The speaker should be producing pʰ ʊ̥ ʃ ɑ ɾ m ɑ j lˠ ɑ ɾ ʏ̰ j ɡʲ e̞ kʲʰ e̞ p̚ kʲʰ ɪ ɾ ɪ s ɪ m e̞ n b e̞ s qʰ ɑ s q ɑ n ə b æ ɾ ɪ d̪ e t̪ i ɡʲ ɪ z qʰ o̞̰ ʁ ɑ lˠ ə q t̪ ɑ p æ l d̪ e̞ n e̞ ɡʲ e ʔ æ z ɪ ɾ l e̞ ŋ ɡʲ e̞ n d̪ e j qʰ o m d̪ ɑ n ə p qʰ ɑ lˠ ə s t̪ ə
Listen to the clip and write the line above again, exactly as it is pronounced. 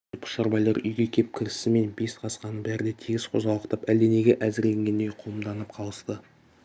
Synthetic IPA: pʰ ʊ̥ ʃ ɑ ɾ b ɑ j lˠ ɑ ɾ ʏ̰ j ɡʲ e̞ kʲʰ e̞ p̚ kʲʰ ɪ ɾ ɪ s ɪ m e̞ n b e̞ s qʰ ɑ s q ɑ n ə b æ ɾ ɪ d̪ e t̪ʰ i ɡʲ ɪ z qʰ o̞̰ z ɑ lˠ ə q t̪ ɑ p æ l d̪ e̞ n e̞ ɡʲ e ʔ æ z ɪ ɾ l e̞ ŋ ɡʲ e̞ n d̪ e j qʰ o m d̪ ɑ n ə p qʰ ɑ lˠ ə s t̪ ə